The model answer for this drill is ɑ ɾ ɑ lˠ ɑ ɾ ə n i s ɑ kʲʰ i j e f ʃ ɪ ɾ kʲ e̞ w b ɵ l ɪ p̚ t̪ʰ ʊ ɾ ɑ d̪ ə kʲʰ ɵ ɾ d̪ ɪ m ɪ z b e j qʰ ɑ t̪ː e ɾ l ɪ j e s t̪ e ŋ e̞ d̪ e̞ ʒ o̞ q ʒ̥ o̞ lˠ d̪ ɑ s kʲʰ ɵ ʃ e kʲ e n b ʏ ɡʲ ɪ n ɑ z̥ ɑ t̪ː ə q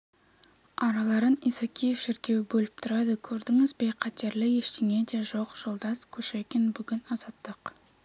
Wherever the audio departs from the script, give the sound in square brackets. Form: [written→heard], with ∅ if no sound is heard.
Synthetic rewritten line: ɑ ɾ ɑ lˠ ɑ ɾ ə n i s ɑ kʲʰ i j e f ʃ ɪ ɾ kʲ e̞ w b ɵ l ɪ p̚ t̪ʰ ʊ ɾ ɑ d̪ ə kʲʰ ɵ ɾ d̪ ɪ [m→ŋ] ɪ z b e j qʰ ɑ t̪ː e ɾ l ɪ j e [s→ʃ] t̪ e ŋ e̞ d̪ e̞ ʒ o̞ q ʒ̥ o̞ lˠ d̪ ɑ s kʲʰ ɵ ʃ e kʲ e n b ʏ ɡʲ ɪ n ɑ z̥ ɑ t̪ː ə q